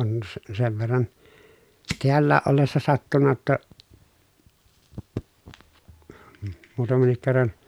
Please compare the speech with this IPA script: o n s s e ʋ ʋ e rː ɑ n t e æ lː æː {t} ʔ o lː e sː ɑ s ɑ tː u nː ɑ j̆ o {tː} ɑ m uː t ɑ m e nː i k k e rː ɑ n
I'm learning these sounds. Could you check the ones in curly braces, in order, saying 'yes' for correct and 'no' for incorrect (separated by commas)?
no, yes